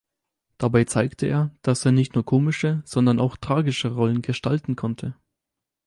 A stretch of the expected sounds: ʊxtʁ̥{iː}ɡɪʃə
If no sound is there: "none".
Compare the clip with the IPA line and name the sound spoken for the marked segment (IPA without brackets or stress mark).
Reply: aː